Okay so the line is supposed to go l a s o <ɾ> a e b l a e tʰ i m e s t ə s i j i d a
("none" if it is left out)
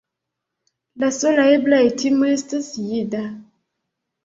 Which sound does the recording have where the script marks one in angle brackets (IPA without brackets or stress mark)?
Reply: l